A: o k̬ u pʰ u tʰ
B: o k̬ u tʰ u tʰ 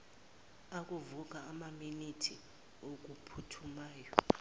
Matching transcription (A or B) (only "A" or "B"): A